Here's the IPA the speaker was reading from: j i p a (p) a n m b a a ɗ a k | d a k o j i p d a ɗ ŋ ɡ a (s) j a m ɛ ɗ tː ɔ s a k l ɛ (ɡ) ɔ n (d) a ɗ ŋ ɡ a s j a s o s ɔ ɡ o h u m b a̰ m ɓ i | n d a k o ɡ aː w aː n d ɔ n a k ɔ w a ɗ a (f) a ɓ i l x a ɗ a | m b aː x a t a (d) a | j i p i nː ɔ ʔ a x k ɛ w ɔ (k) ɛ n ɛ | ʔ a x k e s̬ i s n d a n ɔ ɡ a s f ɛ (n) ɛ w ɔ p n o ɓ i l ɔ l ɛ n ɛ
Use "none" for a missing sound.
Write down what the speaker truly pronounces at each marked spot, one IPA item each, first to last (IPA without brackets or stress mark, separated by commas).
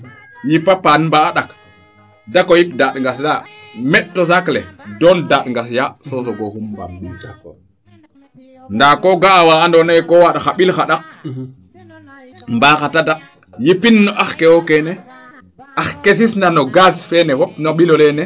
p, s, d, d, x, d, k, n